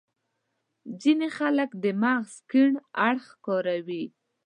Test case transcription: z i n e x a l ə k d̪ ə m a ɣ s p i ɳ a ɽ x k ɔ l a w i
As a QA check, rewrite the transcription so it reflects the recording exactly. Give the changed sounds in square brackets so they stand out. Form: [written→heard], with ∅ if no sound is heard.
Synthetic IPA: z i n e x a l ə k d̪ ə m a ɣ s [p→k] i ɳ a ɽ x k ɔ [l→ɾ] a w i